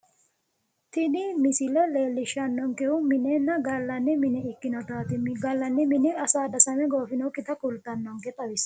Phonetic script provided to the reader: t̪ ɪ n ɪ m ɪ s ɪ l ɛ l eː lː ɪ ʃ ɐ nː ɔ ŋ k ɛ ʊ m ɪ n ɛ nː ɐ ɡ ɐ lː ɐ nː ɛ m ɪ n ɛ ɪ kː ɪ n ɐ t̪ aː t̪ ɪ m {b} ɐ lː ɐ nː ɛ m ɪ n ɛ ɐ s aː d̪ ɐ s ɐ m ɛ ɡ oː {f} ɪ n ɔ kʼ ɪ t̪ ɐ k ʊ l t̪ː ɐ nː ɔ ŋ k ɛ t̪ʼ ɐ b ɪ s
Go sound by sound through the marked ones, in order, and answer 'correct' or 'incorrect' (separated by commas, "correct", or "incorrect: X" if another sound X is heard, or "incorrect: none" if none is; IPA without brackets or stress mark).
incorrect: ɡ, correct